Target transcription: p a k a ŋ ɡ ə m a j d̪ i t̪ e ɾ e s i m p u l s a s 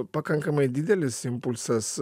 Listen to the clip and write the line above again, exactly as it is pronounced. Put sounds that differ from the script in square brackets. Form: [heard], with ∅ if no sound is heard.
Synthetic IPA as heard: p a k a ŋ [k] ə m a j d̪ i [d̪] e [l] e s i m p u l s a s